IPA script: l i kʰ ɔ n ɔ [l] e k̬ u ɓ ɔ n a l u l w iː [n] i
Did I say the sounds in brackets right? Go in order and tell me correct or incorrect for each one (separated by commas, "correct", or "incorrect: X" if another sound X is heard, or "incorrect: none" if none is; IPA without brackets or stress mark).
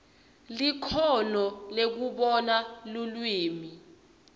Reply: correct, incorrect: m